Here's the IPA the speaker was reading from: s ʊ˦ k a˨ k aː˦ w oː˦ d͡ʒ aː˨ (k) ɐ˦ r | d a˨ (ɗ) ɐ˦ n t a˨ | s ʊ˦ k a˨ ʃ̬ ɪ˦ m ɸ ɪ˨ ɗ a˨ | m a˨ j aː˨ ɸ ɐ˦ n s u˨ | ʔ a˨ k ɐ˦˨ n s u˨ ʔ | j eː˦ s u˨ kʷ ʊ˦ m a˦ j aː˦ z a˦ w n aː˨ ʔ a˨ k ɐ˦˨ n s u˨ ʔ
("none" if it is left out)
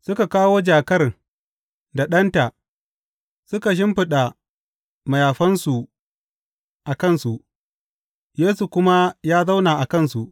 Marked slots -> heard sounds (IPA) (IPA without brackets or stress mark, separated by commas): k, ɗ